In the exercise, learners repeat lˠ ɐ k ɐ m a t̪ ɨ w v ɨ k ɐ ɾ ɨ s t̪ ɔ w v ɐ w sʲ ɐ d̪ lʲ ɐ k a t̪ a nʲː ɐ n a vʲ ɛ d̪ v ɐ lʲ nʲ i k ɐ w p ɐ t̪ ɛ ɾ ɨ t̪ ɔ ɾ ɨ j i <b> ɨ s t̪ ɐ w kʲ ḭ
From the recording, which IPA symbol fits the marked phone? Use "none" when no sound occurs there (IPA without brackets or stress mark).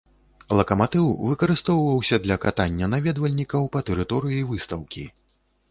v